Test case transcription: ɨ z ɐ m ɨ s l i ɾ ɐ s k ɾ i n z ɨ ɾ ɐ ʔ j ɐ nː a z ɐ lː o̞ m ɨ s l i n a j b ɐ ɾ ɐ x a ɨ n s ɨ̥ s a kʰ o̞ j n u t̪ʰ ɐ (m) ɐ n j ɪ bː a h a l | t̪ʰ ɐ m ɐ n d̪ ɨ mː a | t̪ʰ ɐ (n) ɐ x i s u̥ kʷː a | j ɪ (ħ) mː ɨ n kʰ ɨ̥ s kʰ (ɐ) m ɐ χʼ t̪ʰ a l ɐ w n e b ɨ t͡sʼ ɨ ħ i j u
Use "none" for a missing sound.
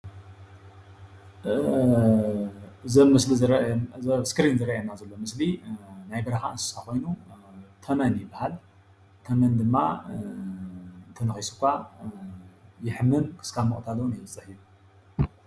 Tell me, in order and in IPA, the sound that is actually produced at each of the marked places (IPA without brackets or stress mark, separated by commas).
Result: m, n, ħ, a